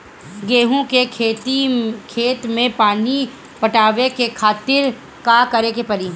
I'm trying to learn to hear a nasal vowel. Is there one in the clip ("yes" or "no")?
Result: yes